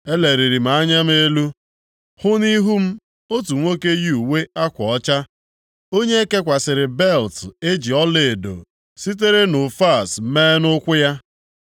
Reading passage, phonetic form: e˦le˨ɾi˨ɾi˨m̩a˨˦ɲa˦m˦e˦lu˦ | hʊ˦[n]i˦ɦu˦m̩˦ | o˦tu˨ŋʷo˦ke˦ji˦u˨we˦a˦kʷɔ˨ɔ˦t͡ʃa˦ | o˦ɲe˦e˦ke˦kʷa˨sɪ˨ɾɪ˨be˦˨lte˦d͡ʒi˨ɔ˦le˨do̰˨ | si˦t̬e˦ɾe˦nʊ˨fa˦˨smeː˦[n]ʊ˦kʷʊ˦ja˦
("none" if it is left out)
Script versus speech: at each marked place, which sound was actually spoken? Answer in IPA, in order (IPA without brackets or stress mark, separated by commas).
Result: n, n